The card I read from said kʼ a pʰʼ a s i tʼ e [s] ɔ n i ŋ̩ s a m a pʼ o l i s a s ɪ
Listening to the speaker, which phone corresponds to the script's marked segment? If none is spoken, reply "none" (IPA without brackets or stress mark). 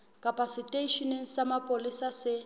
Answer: ʃ